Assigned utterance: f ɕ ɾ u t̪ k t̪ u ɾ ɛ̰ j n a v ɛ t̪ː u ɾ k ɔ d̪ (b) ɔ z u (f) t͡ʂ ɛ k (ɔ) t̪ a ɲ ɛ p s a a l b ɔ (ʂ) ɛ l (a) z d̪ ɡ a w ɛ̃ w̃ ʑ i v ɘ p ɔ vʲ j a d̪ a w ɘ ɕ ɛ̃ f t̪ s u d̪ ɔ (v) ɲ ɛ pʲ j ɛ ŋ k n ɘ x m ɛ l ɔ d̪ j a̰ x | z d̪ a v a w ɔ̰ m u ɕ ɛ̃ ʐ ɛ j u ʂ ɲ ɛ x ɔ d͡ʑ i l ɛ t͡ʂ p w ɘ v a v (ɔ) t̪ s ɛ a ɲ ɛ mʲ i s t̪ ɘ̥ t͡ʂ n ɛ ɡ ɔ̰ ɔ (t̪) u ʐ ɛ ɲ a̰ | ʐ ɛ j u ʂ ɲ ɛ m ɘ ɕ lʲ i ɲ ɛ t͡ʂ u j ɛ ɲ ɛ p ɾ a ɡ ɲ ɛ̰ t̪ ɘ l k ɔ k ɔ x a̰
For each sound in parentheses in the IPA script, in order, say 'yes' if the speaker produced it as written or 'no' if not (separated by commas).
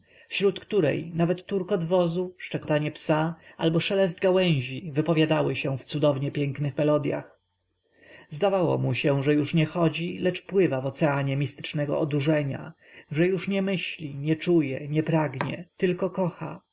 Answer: no, no, yes, yes, no, yes, yes, no